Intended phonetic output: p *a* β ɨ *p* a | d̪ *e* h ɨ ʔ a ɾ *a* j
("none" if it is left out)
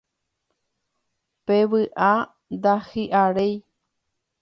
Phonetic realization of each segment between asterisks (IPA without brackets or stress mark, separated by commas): e, ʔ, a, e